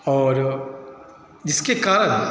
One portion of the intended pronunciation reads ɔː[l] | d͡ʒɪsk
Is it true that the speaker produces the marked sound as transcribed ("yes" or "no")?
no